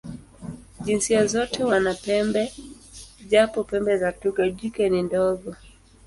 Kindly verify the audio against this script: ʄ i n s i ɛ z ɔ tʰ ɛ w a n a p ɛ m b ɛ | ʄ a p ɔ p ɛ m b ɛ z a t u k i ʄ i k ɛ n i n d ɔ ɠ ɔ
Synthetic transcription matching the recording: ʄ i n s i a z ɔ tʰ ɛ w a n a p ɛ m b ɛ | ʄ a p ɔ p ɛ m b ɛ z a t u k a ʄ i k ɛ n i n d ɔ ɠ ɔ